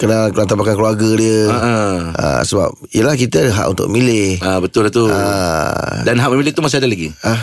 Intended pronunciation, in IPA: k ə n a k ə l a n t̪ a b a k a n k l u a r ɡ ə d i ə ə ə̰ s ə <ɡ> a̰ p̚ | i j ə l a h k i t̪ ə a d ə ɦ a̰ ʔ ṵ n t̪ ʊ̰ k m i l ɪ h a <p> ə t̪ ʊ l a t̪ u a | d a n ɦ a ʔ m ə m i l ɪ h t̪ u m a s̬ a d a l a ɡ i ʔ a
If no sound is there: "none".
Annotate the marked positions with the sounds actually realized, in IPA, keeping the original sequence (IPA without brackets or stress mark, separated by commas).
b, b